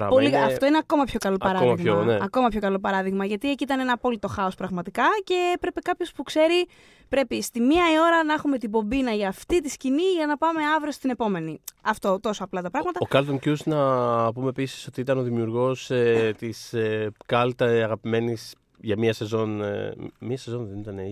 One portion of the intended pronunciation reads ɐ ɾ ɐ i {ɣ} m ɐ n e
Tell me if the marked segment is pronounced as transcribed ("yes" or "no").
yes